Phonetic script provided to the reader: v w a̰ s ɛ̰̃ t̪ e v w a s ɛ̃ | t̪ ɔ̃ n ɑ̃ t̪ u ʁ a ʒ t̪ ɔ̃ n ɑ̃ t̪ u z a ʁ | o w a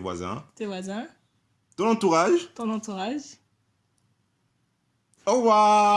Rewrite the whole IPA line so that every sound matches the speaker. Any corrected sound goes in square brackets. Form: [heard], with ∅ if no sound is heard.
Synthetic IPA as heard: v w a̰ [z] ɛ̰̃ t̪ e v w a [z] ɛ̃ | t̪ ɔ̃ n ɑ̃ t̪ u ʁ a ʒ t̪ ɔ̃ n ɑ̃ t̪ u [ʁ] a [ʒ] | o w a